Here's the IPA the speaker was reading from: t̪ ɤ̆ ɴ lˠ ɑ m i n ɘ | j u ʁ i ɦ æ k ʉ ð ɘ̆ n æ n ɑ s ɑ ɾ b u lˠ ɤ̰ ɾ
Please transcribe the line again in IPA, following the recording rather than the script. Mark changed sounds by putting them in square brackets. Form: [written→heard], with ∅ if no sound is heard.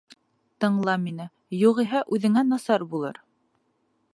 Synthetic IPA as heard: t̪ ɤ̆ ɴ lˠ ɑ m i n ɘ | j u ʁ i ɦ æ [k→ʔ] ʉ ð ɘ̆ [n→ŋ] æ n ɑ s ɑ ɾ b u lˠ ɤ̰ ɾ